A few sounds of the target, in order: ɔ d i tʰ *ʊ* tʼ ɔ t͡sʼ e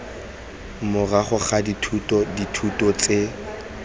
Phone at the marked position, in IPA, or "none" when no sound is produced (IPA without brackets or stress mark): u